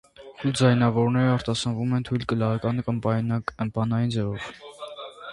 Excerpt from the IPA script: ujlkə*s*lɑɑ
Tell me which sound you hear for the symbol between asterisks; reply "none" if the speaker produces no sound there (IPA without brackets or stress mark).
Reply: none